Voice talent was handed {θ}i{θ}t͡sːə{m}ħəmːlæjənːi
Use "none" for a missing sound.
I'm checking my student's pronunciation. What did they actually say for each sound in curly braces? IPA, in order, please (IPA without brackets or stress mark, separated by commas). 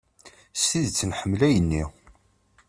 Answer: s, ð, n